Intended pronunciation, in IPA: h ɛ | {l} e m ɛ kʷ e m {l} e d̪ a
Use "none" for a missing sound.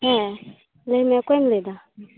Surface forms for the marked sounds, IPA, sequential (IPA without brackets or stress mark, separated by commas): l, l